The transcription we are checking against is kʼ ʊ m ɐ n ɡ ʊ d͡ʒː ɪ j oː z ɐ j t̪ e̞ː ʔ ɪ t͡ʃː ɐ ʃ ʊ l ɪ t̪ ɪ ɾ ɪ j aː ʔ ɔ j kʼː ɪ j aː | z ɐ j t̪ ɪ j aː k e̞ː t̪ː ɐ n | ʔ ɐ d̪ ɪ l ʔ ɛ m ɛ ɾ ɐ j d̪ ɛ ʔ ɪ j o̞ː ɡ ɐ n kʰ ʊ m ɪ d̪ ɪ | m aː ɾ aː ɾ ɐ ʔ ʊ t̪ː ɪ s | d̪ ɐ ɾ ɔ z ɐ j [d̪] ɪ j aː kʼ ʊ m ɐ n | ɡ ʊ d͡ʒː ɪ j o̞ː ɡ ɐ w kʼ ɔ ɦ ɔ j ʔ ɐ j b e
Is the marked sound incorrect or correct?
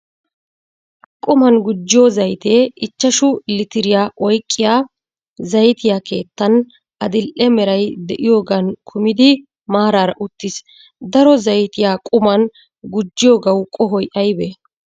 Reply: incorrect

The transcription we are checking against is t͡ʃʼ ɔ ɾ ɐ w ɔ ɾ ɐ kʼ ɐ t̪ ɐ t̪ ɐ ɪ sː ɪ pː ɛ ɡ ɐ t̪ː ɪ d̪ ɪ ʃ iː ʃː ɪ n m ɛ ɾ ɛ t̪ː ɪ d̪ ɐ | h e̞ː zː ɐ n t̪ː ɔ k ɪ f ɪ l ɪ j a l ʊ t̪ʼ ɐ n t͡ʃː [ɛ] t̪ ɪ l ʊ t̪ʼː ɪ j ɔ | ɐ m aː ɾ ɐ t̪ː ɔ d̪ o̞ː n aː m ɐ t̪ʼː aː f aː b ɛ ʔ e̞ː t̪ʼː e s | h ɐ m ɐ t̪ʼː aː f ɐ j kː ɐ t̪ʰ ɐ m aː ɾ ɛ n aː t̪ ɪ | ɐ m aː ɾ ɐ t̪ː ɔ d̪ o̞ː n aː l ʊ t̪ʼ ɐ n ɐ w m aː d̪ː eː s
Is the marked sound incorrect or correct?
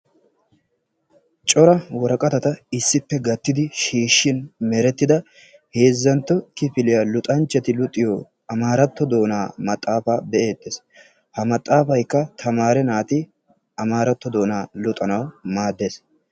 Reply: correct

